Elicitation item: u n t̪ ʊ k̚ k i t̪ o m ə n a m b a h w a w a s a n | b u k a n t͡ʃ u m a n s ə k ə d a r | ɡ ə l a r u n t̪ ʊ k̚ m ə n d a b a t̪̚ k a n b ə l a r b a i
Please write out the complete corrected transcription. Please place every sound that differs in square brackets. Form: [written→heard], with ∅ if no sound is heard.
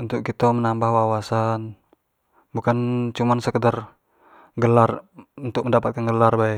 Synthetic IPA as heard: u n t̪ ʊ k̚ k i t̪ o m ə n a m b a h w a w a s a n | b u k a n t͡ʃ u m a n s ə k ə d a r | ɡ ə l a r u n t̪ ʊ k̚ m ə n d a [b→p] a t̪̚ k a n [b→ɡ] ə l a r b a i